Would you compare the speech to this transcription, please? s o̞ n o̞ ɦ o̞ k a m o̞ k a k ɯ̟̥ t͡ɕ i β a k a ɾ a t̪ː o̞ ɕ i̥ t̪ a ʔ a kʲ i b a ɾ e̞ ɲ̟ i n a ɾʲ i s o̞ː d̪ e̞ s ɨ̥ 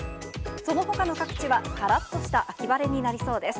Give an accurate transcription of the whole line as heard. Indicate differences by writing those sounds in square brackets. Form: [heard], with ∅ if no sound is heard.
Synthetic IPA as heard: s o̞ n o̞ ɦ o̞ k a [n] o̞ k a k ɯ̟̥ t͡ɕ i β a k a ɾ a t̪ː o̞ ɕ i̥ t̪ a ʔ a kʲ i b a ɾ e̞ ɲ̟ i n a ɾʲ i s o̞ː d̪ e̞ s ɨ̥